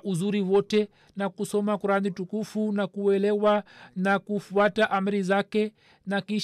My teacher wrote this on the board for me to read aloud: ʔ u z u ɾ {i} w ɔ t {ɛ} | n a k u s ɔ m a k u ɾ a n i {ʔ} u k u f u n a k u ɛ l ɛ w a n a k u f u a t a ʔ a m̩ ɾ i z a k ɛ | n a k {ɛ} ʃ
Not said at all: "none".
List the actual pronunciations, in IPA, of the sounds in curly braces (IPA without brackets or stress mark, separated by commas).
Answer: i, ɛ, t, i